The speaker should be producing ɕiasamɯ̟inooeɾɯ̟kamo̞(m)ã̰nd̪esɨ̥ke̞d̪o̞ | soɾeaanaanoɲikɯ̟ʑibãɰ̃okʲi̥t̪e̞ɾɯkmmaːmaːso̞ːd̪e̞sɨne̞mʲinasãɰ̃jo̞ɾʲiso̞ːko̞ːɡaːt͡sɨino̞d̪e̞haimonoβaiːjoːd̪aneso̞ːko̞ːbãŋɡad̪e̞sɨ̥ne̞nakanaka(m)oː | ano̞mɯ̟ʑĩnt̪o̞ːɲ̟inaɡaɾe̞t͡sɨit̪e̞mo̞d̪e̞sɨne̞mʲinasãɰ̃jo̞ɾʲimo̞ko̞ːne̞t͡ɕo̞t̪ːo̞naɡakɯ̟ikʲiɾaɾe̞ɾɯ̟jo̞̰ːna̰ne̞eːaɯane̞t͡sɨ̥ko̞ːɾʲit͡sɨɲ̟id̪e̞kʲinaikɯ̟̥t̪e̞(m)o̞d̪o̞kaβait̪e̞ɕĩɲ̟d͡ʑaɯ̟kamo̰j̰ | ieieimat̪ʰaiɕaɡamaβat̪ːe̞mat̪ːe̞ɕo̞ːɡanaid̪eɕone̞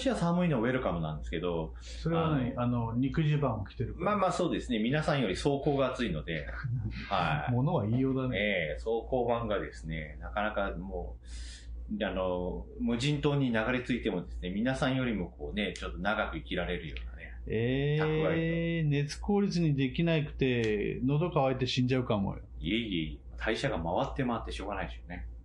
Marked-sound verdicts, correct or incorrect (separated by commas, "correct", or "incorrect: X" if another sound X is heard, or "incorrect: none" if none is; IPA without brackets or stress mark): incorrect: n, correct, incorrect: n